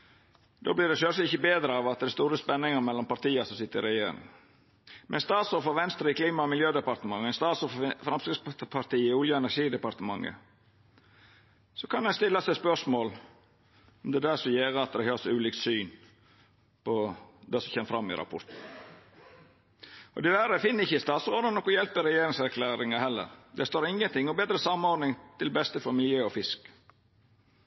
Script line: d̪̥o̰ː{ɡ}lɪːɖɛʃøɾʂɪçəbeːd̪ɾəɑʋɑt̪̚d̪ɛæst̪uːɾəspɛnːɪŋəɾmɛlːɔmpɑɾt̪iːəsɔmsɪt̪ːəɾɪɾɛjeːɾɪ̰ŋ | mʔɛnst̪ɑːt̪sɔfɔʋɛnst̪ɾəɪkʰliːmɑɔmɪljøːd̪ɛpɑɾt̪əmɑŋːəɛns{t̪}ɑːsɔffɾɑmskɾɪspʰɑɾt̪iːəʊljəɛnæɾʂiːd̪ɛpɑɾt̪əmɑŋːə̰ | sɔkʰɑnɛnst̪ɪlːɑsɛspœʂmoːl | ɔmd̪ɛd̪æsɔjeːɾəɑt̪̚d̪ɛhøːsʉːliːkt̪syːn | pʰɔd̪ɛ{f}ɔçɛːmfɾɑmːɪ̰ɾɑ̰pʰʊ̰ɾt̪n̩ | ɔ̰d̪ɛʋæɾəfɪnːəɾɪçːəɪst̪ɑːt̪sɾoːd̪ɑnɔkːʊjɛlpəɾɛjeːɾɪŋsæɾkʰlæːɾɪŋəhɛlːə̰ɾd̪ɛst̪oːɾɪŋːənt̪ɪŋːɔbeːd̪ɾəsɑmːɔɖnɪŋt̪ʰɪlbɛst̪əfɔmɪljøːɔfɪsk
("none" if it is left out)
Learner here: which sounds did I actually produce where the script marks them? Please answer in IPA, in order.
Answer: b, t̪, s

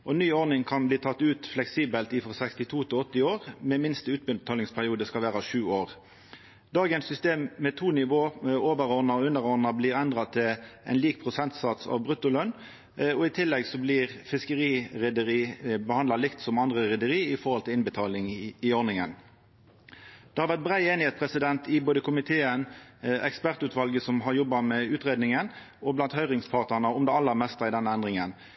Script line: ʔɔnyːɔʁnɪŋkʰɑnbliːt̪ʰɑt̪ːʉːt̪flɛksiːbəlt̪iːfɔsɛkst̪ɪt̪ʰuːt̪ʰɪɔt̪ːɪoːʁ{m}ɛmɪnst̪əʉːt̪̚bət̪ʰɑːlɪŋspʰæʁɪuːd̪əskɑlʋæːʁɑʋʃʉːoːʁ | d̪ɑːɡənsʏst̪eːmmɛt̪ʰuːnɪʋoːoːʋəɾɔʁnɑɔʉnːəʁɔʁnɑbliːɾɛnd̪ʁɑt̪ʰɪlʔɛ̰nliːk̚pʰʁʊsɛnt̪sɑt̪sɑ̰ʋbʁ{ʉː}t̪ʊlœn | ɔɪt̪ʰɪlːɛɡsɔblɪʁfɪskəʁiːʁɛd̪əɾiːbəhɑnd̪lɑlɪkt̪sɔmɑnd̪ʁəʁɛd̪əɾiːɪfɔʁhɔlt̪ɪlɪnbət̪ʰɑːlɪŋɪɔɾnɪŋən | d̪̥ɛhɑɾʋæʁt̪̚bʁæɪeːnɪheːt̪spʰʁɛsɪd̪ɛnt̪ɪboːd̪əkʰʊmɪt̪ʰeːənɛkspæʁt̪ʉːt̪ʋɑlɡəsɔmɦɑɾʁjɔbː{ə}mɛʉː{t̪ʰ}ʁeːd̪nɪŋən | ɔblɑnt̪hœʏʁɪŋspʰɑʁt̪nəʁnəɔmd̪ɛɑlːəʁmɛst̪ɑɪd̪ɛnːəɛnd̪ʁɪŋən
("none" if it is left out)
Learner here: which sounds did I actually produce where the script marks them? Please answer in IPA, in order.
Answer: m, ʉ, ɑ, t̪

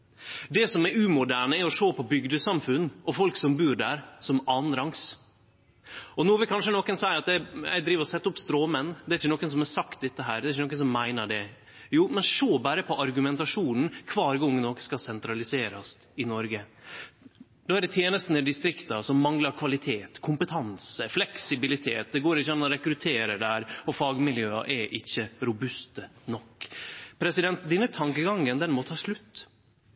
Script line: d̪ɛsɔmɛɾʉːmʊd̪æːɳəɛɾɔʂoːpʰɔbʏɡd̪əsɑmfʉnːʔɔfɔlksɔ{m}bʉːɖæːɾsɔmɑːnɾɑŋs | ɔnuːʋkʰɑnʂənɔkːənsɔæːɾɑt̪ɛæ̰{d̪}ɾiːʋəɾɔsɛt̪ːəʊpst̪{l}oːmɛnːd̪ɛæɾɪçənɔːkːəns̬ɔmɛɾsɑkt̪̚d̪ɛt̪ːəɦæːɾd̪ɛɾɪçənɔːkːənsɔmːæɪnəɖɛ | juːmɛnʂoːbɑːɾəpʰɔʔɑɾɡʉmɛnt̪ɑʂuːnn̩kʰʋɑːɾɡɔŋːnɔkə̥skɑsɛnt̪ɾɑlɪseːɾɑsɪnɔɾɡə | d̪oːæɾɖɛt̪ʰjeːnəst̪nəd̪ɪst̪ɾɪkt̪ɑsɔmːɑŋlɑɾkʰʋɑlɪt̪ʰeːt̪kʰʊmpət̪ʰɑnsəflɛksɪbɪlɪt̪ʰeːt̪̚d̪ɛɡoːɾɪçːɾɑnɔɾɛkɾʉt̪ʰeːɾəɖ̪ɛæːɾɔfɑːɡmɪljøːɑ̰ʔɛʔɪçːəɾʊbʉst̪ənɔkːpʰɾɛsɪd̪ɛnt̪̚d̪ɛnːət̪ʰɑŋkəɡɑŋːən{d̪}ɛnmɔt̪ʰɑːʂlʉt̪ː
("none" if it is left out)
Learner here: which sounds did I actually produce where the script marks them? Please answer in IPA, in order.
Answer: m, d̪, ɾ, d̪

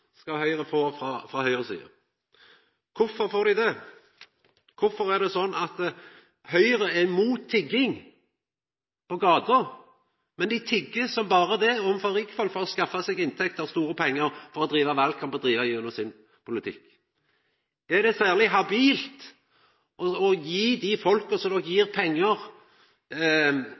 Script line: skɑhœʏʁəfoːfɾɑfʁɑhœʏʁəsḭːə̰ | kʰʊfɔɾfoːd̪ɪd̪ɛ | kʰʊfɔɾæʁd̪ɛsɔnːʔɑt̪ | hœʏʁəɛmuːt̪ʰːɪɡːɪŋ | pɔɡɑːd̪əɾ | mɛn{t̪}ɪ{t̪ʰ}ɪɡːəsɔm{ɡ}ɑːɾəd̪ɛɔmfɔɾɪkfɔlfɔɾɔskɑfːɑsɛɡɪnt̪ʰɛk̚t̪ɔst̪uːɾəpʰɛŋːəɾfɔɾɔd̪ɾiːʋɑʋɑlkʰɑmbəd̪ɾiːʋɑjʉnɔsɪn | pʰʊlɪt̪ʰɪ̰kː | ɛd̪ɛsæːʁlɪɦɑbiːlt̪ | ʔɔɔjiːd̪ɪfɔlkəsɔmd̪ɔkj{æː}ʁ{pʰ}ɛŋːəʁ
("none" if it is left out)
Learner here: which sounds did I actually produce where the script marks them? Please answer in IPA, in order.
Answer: d̪, t̪ʰ, b, iː, pʰ

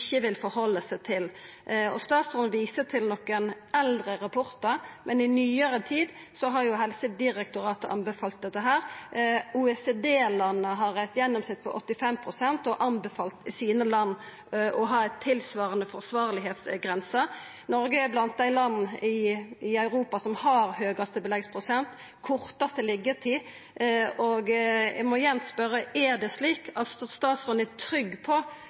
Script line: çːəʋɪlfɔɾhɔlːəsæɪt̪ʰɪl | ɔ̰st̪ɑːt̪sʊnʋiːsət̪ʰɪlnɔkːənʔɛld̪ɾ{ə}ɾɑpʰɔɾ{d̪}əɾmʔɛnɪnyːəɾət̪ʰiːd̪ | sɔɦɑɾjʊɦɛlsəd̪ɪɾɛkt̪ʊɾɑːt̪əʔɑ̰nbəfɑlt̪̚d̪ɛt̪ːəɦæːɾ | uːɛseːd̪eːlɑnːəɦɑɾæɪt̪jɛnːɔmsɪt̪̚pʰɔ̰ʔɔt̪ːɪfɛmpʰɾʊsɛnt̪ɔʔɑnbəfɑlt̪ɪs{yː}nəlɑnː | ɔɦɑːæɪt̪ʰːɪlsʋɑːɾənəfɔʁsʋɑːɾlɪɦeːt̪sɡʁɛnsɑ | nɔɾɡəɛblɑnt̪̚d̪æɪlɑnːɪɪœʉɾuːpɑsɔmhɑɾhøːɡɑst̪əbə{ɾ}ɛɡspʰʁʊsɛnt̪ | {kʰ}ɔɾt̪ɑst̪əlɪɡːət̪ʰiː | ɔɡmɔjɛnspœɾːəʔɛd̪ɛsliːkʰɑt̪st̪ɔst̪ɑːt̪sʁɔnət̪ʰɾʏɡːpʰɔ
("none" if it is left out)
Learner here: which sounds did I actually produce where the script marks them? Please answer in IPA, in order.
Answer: ə, t̪, iː, l, kʰ

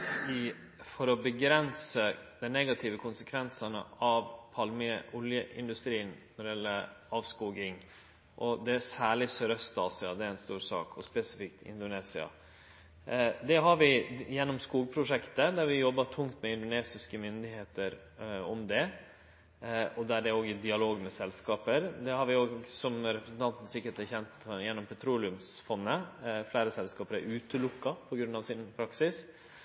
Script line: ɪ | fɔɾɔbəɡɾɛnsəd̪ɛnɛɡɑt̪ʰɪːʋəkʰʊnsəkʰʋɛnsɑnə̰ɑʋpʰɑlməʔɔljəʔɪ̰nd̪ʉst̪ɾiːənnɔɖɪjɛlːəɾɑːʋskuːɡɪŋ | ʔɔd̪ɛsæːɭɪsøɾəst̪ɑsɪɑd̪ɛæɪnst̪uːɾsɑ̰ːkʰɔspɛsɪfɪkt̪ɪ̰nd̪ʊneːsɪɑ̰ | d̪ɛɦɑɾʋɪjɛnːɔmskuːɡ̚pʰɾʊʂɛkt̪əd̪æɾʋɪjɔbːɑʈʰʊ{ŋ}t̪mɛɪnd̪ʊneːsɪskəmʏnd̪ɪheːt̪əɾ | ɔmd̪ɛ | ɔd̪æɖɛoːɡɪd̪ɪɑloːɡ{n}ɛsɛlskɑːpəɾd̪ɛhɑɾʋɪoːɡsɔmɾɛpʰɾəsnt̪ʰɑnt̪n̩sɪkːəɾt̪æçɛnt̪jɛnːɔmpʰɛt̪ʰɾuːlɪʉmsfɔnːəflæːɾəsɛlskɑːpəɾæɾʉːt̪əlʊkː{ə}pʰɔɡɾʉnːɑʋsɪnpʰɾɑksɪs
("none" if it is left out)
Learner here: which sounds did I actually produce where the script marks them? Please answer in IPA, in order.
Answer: ŋ, m, ɑ

